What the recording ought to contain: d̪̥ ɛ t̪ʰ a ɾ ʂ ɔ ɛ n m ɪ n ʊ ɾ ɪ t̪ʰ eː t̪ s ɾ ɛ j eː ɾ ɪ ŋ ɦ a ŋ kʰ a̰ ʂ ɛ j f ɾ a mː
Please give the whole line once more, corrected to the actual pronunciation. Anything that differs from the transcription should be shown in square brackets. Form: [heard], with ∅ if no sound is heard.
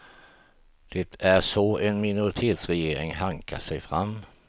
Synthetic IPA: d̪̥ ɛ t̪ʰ [æ] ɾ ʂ ɔ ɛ n m ɪ n ʊ ɾ ɪ t̪ʰ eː t̪ s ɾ ɛ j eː ɾ ɪ ŋ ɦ a ŋ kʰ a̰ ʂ ɛ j f ɾ a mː

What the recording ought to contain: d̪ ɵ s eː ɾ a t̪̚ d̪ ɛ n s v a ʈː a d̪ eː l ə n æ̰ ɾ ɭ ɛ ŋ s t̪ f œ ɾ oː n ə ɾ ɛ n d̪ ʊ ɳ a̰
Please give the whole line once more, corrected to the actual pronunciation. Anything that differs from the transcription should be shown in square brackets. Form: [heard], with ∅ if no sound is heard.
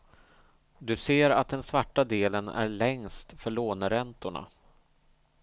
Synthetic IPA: d̪ ɵ s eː ɾ a t̪̚ d̪ ɛ n s v a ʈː a d̪ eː l ə n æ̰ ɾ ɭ ɛ ŋ s t̪ f œ [ɭ] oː n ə ɾ ɛ n [t̪] ʊ ɳ a̰

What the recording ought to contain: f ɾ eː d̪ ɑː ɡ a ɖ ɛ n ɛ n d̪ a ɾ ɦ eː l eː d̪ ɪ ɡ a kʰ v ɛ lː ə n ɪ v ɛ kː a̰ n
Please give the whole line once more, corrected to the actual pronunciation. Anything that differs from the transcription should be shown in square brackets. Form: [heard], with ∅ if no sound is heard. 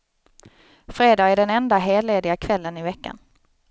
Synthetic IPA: f ɾ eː d̪ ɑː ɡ [æ] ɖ ɛ n ɛ n d̪ a [∅] ɦ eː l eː d̪ ɪ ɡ a kʰ v ɛ lː ə n ɪ v ɛ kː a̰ n

